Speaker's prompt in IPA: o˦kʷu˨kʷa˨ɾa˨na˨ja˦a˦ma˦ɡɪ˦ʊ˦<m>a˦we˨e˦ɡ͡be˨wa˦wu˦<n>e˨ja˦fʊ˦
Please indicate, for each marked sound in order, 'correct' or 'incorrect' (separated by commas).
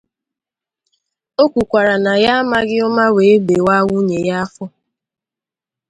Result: correct, incorrect